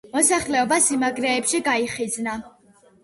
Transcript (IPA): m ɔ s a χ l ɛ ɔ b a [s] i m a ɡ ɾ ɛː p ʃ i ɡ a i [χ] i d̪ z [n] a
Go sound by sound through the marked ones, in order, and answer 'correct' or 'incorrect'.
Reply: correct, correct, correct

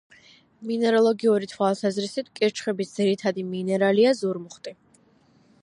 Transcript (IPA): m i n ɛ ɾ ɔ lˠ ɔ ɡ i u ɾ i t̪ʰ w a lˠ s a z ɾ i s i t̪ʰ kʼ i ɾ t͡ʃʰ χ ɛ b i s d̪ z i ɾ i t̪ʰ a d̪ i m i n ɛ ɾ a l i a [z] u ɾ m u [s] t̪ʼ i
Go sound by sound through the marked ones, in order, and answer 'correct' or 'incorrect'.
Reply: correct, incorrect

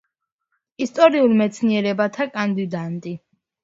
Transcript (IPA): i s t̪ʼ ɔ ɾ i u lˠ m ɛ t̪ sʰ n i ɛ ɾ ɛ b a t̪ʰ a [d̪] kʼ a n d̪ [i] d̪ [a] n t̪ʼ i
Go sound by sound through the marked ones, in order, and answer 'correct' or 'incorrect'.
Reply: incorrect, correct, correct

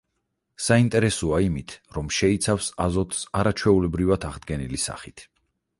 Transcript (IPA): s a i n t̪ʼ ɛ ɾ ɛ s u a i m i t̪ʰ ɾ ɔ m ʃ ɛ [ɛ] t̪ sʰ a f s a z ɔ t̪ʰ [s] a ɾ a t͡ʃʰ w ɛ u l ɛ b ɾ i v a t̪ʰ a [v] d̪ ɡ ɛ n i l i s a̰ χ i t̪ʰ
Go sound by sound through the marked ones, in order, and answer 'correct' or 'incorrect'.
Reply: incorrect, correct, incorrect

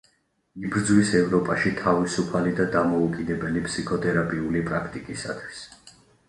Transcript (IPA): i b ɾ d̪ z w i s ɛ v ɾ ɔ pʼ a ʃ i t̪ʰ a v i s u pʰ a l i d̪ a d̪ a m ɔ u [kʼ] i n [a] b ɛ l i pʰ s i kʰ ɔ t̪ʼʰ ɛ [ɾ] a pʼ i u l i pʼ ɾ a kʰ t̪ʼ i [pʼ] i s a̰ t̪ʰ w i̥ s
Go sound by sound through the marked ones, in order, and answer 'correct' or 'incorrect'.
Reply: correct, incorrect, correct, incorrect

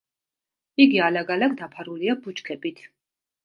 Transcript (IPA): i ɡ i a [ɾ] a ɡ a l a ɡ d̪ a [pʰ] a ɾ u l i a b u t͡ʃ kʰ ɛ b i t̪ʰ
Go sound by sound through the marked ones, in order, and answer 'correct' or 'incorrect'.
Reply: incorrect, correct

